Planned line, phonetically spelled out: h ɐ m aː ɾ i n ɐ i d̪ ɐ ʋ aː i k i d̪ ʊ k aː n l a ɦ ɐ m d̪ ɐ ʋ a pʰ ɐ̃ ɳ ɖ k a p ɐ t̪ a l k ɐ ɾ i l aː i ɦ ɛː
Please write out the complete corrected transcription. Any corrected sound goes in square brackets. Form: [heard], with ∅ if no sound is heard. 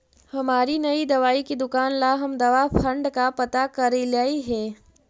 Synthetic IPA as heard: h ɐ m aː ɾ i n ɐ i d̪ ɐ ʋ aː i k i d̪ ʊ k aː n l a ɦ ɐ m d̪ ɐ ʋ a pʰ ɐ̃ ɳ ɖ k a p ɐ t̪ a [∅] k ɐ ɾ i l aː i ɦ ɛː